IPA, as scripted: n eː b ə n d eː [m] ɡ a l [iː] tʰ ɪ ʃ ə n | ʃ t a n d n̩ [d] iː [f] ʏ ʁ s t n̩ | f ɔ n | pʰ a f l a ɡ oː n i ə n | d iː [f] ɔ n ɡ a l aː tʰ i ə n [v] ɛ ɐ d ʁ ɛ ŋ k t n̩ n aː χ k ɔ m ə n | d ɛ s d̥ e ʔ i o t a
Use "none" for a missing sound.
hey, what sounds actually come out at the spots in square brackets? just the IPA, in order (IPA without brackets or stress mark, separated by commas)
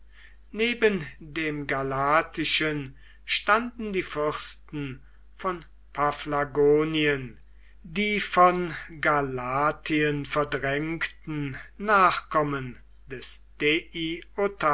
m, aː, d, f, f, f